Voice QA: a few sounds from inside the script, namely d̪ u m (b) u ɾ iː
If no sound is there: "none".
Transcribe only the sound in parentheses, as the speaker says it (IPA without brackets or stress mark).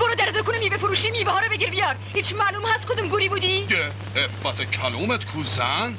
ɡ